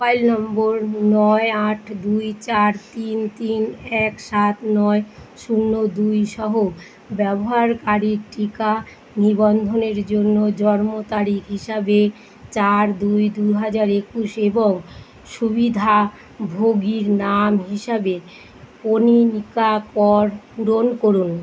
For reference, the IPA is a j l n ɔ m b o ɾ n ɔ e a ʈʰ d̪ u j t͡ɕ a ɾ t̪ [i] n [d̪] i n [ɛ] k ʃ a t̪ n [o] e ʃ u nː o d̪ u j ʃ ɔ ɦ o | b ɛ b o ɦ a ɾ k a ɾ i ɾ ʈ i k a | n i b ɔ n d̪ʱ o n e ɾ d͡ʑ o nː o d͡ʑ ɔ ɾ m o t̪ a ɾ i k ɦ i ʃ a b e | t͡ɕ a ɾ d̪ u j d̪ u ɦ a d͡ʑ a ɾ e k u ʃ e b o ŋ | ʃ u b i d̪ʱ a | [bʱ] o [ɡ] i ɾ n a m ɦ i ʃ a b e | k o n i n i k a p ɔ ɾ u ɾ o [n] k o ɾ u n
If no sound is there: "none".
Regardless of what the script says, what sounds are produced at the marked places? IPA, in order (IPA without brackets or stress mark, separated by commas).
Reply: i, t̪, ɛ, ɔ, bʱ, ɡ, n